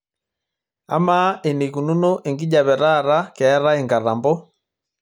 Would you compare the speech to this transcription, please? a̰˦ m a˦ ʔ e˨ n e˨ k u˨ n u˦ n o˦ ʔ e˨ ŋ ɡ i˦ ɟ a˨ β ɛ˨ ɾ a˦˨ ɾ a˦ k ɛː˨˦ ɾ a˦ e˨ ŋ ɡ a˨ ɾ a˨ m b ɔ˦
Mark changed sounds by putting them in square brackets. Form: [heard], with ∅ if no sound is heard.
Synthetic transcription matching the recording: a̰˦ m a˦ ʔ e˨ n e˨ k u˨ n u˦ n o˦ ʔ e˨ ŋ ɡ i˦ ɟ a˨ β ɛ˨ ɾ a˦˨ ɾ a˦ k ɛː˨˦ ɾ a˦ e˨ ŋ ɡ a˨ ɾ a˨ m b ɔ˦